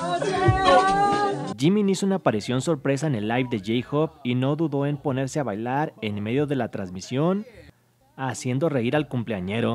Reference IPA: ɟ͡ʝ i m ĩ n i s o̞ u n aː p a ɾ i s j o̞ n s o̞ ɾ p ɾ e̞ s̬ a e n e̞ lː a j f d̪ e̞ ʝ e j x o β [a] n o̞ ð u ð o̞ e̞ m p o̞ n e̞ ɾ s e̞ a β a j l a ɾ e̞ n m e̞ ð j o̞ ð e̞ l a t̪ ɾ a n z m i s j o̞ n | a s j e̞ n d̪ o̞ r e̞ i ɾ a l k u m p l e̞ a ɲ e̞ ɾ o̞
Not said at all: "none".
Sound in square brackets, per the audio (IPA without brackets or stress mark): i